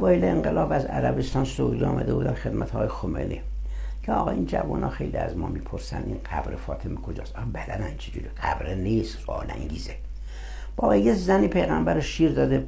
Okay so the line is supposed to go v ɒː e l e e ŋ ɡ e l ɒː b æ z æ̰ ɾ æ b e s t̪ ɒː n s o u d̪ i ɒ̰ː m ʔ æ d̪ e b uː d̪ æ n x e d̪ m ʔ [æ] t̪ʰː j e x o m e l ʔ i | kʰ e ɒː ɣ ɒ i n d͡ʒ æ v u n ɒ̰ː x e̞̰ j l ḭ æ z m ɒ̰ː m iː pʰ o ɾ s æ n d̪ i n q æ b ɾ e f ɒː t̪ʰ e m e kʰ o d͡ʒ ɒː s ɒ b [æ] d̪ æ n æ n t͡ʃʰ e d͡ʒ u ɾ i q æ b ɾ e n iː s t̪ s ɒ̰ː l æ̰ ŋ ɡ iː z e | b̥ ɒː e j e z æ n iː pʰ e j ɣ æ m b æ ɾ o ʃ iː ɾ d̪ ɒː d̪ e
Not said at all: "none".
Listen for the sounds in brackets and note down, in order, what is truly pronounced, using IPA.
æ, æ

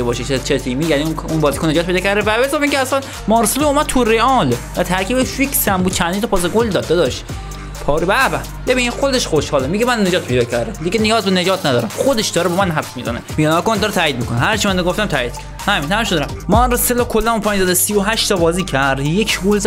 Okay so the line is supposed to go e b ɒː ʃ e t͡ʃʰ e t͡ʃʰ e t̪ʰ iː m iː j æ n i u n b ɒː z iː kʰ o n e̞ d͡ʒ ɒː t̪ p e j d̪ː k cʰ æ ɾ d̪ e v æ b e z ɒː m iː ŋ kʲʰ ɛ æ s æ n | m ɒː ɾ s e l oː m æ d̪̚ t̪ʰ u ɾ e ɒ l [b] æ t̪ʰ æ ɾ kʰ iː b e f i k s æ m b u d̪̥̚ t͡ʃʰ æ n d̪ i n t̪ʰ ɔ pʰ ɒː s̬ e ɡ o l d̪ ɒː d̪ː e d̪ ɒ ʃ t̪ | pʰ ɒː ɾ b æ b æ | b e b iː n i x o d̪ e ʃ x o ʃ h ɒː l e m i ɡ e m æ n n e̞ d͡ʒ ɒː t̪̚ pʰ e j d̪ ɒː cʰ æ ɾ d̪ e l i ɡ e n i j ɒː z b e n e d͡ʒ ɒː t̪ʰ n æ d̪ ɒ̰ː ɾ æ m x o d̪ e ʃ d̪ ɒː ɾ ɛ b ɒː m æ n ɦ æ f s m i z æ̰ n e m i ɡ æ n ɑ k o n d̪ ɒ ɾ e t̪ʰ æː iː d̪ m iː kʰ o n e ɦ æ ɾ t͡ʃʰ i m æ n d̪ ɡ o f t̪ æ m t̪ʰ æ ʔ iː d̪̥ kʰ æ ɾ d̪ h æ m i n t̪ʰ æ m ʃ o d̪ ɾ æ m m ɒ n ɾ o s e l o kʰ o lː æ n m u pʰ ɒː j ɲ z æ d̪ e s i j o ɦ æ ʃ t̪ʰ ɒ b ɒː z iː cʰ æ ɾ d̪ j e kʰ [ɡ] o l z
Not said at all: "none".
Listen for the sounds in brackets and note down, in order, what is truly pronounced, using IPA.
v, ɡ

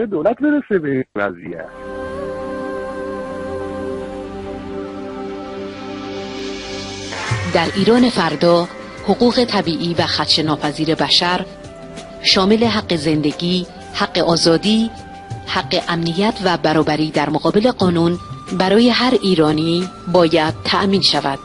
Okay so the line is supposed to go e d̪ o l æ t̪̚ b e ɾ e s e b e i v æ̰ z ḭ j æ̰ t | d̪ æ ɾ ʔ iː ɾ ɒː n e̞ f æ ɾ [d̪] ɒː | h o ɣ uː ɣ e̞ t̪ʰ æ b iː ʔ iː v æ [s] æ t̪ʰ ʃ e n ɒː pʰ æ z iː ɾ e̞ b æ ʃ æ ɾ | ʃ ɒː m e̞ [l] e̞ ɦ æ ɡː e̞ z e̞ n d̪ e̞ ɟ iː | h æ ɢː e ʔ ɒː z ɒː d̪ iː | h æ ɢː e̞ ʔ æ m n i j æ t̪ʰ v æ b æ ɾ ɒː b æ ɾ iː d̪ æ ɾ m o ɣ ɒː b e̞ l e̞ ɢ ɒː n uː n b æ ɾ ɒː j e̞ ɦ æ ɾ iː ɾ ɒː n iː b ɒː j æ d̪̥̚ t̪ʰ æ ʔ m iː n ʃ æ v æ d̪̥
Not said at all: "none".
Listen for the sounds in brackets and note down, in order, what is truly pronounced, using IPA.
d̪, x, l

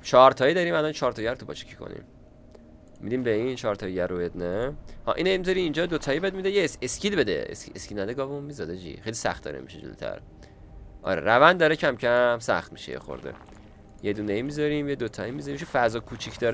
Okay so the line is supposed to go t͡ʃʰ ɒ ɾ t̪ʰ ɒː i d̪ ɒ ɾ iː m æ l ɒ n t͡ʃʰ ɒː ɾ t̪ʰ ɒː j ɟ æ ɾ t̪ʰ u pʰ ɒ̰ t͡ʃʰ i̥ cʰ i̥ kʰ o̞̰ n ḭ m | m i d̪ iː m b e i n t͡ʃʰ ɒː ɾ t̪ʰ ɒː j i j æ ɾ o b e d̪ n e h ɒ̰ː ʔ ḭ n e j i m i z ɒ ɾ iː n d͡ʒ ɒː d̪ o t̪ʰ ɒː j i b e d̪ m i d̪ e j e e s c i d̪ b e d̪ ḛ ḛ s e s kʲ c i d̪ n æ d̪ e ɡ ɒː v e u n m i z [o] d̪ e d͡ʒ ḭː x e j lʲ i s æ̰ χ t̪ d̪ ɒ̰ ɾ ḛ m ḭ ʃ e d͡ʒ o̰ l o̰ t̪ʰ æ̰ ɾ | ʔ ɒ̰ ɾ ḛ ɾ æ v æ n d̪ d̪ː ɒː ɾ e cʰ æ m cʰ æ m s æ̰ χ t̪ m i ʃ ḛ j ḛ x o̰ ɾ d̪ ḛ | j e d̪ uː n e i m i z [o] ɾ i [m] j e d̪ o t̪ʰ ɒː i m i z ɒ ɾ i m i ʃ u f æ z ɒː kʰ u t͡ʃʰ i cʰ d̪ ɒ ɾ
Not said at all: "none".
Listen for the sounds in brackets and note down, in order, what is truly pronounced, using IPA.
ɒ, ɒ, m

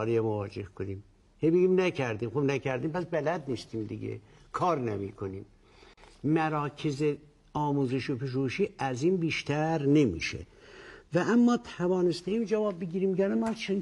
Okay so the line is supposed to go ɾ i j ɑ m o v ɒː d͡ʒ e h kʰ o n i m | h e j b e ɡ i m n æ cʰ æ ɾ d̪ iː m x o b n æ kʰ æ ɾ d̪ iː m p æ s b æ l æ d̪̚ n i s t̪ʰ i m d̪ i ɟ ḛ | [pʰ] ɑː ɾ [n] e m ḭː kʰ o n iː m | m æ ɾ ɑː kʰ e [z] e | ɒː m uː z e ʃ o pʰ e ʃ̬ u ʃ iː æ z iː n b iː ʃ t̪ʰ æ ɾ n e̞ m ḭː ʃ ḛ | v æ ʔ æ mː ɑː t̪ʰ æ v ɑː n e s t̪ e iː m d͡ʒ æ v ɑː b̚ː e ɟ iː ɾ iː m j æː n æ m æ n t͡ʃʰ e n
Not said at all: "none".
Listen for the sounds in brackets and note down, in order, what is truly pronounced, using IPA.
kʰ, n, z

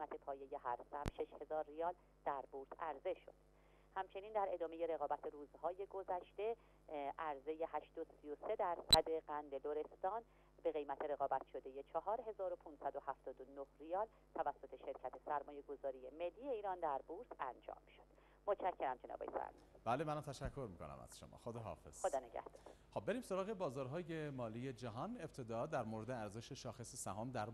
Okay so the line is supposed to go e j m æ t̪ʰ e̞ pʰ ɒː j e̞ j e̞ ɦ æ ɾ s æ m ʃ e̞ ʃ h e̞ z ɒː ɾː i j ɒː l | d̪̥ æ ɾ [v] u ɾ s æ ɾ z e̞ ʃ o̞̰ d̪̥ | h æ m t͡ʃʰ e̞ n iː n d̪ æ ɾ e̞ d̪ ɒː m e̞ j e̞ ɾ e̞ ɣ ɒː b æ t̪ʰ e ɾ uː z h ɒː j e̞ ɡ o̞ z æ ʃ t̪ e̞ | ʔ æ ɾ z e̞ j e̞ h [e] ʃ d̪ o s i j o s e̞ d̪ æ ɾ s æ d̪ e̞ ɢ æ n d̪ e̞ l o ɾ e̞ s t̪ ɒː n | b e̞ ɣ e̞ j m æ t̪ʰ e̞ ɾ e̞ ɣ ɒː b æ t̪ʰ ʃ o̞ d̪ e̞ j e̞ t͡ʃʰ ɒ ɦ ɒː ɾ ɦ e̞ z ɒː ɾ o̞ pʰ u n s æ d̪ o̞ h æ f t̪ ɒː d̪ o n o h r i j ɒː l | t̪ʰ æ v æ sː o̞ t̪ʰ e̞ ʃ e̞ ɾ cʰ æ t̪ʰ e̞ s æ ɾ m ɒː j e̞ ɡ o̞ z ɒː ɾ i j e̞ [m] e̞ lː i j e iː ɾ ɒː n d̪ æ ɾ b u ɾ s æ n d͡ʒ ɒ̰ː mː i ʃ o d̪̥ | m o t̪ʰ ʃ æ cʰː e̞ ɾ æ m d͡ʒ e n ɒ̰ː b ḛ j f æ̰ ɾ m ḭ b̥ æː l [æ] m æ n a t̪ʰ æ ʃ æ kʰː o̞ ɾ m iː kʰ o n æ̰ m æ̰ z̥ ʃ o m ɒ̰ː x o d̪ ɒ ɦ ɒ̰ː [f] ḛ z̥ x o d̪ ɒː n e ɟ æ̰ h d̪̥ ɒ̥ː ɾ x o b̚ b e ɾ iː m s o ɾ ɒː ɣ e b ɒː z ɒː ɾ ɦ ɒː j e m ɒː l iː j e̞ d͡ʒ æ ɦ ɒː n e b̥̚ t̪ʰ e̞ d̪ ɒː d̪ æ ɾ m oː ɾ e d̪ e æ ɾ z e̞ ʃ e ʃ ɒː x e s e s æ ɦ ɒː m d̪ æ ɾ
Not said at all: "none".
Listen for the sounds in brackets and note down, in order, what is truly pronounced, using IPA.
b, æ, m, e, f

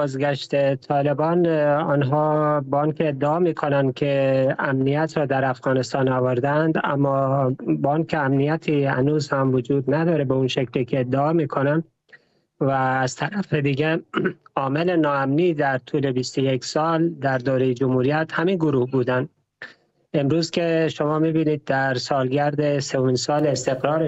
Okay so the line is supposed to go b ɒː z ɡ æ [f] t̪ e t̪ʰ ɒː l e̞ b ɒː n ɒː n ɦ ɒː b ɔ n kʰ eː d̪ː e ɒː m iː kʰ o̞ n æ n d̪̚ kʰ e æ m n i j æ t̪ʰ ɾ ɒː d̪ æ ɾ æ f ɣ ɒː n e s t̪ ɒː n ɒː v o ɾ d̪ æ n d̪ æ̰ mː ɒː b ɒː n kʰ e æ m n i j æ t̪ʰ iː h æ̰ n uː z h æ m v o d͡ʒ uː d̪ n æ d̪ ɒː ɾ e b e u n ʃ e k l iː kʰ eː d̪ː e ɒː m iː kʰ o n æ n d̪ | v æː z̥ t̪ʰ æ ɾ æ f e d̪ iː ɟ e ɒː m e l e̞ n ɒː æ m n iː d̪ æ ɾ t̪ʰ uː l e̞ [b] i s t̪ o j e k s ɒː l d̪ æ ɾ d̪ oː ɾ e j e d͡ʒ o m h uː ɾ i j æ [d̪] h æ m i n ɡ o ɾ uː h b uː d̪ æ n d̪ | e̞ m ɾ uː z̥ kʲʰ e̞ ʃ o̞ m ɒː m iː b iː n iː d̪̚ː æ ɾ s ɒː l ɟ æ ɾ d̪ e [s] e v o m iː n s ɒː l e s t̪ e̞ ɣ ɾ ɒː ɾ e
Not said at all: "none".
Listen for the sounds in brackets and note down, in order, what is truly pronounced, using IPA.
ʃ, b, t̪, s

